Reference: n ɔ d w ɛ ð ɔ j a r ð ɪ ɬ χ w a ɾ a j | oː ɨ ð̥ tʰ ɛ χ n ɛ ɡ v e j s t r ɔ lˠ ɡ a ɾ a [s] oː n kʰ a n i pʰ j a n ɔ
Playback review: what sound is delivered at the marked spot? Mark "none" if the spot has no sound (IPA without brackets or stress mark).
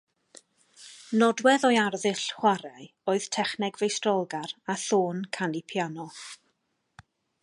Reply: θ